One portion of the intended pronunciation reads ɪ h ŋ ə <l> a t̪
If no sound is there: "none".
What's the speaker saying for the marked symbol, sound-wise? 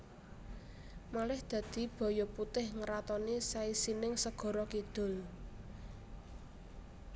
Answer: ɾ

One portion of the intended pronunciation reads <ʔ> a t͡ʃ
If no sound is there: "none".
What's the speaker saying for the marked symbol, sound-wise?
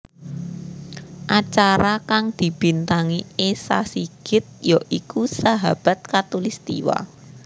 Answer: ʔ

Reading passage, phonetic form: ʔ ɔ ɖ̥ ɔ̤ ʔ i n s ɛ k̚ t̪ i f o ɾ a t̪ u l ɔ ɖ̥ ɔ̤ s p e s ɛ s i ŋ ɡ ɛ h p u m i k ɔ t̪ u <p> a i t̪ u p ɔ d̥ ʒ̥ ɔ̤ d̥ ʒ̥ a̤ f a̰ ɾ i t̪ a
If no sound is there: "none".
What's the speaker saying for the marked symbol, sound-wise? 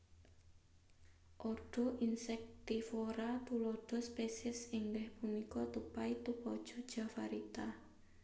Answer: p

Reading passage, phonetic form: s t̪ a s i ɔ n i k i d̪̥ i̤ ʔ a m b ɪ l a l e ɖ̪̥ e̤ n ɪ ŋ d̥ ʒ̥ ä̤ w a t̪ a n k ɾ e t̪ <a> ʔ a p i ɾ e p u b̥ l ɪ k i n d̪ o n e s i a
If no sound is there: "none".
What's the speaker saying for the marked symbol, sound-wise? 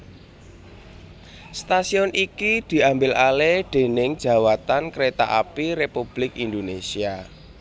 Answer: a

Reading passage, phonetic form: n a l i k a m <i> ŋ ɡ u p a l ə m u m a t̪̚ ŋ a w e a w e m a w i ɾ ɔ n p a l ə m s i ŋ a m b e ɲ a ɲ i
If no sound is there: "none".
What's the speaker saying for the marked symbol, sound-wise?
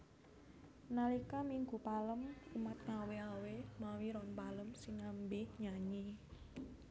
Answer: i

